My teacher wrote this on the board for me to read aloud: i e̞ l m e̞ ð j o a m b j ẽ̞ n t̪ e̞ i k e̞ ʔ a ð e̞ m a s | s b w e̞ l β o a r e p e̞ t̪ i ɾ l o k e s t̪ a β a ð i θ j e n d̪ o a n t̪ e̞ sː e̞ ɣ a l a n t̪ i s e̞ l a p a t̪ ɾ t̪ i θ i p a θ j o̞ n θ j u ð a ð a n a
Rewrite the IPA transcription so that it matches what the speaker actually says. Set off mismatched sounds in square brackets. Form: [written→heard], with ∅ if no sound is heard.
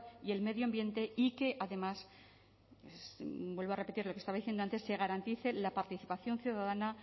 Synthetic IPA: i e̞ l m e̞ ð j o a m b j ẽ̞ n t̪ e̞ i k e̞ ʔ a ð e̞ m a s | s b w e̞ l β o a r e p e̞ t̪ i ɾ l o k e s t̪ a β a ð i θ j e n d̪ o a n t̪ e̞ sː e̞ ɣ a [l→ɾ] a n t̪ i [s→θ] e̞ l a p a [t̪→∅] ɾ t̪ i θ i p a θ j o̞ n θ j u ð a ð a n a